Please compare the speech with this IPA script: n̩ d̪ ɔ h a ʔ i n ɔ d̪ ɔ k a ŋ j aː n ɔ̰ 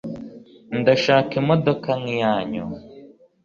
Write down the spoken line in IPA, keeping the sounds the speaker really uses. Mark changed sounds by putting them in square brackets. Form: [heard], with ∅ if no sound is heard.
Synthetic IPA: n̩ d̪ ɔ [ʃ] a [k] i [m] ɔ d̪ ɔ k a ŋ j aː [ɲ] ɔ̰